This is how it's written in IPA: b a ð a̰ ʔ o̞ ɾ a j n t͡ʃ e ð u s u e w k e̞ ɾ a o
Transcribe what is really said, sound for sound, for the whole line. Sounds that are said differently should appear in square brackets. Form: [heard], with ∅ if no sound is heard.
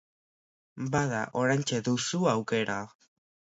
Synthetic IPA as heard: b a ð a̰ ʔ o̞ ɾ a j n t͡ʃ e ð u s u [a] w k e̞ ɾ a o